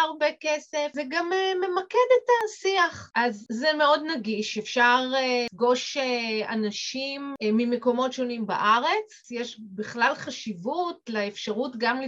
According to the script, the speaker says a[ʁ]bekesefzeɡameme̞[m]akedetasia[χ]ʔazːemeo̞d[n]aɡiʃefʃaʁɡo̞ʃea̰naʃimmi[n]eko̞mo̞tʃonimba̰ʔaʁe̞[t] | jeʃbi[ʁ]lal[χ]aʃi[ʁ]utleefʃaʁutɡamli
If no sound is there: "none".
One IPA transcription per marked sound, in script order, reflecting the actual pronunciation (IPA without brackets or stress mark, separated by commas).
ʁ, m, χ, n, m, t͡s, χ, χ, v